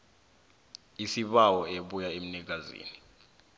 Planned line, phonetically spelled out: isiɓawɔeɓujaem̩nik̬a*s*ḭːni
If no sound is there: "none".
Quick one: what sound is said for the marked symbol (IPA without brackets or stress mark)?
z